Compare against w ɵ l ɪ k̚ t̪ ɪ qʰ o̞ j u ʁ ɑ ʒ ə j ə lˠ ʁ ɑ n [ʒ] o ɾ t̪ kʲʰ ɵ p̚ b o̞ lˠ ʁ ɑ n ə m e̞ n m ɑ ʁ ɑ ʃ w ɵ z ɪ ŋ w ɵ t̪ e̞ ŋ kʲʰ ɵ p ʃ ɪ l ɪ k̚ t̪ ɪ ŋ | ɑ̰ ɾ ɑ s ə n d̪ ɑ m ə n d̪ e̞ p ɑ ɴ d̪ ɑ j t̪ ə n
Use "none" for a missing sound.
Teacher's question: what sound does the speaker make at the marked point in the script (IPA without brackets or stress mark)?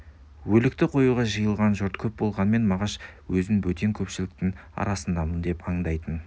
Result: ʒ